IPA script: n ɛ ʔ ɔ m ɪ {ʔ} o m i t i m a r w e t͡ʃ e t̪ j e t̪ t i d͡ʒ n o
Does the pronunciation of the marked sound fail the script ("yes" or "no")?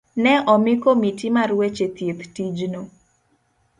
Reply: yes